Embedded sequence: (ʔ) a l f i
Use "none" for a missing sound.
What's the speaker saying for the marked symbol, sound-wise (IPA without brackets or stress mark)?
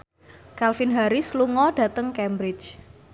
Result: k